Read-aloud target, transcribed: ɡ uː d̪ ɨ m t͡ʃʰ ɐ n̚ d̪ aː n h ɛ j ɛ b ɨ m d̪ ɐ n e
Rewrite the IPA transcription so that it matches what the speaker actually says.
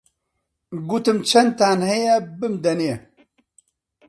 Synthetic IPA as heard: ɡ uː t̪ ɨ m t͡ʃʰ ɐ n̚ t̪ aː n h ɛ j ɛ b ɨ m d̪ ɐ n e